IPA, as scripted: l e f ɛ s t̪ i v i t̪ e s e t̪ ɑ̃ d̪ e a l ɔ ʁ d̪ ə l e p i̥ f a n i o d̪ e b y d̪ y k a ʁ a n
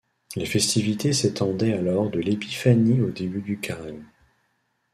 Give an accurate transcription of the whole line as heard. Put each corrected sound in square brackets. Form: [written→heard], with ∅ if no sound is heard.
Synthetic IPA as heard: l e f ɛ s t̪ i v i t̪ e s e t̪ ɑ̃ d̪ [e→ɛ] a l ɔ ʁ d̪ ə l e p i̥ f a n i o d̪ e b y d̪ y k a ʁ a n